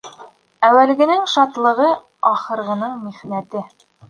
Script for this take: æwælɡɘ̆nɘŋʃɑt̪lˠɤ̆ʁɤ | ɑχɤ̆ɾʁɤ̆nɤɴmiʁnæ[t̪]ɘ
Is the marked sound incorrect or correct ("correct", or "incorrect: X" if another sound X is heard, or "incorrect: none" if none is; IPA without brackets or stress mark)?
correct